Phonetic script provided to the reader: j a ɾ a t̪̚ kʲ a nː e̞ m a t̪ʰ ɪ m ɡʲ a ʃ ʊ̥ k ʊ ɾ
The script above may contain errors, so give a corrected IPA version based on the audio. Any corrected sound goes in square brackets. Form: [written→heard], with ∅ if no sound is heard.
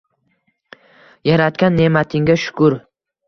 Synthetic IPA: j a ɾ a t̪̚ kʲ a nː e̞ m a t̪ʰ ɪ [m→ŋ] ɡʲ a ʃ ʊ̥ k ʊ ɾ